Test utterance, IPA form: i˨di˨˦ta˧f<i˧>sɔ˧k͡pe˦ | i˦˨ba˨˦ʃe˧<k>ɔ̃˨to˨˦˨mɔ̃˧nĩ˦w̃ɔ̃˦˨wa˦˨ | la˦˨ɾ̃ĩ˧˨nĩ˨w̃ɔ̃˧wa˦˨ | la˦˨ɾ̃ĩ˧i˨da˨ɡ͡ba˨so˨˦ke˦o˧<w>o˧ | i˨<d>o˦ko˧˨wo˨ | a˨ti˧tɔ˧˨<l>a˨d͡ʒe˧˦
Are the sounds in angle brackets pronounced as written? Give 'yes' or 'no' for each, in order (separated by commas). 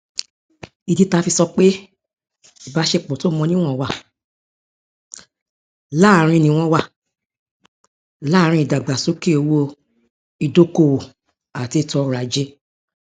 yes, no, yes, yes, no